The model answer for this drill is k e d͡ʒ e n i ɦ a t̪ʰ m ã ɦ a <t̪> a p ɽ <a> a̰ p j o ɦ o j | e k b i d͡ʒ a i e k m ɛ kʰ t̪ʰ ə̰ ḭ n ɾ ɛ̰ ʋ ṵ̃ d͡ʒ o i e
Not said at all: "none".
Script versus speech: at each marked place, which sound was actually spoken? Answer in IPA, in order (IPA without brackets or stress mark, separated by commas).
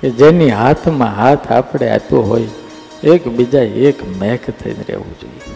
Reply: t̪ʰ, e